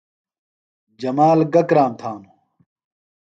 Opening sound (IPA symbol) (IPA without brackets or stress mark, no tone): d͡ʑ